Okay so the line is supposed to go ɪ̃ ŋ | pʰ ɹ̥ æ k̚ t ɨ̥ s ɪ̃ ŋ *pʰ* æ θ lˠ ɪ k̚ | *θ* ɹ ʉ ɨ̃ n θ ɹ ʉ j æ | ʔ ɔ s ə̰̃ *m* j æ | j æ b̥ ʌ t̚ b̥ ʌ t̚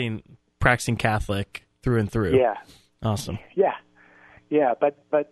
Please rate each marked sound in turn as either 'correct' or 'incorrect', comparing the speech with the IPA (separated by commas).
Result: incorrect, correct, correct